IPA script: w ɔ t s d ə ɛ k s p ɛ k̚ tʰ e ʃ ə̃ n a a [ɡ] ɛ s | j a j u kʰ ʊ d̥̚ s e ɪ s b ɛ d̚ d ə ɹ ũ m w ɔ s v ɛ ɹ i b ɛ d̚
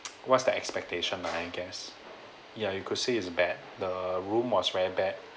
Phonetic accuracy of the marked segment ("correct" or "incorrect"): correct